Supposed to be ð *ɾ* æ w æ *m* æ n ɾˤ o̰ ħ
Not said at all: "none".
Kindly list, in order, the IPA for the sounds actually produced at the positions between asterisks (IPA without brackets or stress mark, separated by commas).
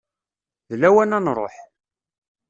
l, n